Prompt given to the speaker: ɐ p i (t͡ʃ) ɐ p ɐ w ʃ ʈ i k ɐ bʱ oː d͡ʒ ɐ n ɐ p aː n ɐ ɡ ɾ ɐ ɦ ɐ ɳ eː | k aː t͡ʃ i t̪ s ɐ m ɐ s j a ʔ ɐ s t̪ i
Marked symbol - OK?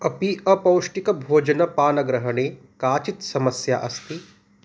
no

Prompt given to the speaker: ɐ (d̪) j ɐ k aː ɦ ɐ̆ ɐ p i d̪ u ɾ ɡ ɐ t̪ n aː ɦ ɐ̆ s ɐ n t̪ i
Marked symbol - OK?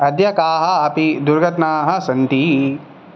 yes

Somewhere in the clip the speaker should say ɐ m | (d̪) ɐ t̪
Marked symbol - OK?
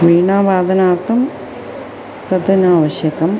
no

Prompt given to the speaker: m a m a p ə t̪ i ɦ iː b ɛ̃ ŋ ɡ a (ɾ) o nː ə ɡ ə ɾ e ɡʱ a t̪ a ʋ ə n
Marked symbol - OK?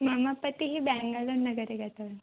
no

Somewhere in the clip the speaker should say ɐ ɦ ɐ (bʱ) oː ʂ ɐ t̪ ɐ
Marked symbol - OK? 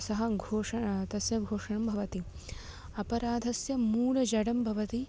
no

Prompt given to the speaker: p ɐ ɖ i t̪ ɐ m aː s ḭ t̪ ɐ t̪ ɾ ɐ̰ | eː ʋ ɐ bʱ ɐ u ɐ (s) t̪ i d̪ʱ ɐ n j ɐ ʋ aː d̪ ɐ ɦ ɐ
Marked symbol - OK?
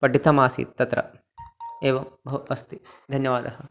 yes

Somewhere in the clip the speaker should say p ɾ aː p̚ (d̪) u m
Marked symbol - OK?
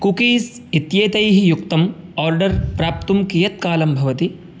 no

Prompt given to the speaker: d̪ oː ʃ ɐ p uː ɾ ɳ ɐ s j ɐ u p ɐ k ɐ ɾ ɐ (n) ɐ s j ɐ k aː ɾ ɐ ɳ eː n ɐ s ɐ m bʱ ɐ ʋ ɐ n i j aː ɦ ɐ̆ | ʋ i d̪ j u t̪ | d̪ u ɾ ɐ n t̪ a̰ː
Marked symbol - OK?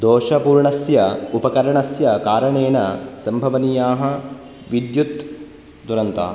no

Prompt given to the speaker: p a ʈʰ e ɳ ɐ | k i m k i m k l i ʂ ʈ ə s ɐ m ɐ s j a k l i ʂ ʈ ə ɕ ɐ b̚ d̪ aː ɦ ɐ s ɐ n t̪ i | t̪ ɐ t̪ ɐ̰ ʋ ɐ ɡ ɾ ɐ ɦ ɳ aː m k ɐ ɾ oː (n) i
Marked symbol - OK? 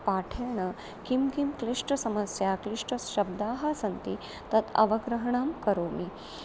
no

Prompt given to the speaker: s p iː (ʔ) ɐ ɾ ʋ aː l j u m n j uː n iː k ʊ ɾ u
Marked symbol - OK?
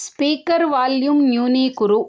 no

